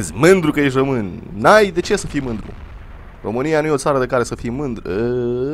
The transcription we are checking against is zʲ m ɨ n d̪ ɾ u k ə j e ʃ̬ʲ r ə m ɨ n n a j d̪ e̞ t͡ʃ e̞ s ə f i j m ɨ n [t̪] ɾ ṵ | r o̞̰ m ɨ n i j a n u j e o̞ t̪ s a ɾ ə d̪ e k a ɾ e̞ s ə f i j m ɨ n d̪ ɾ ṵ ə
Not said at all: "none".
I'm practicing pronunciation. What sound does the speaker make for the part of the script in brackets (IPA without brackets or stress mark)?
d̪